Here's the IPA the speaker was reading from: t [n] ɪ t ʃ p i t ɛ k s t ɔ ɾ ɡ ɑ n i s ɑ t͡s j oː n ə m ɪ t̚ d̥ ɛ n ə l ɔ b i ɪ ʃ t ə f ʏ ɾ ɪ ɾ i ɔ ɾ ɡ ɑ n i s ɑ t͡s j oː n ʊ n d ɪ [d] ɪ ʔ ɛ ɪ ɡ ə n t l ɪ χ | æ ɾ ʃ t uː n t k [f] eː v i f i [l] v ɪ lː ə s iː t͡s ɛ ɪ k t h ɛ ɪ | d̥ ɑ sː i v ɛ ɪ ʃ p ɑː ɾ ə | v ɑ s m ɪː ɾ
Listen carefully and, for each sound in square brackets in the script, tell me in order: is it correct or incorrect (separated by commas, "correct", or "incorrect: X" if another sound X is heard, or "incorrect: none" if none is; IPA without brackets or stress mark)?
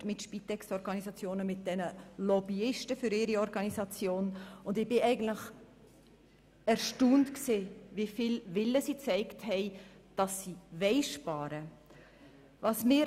incorrect: m, incorrect: b, incorrect: s, correct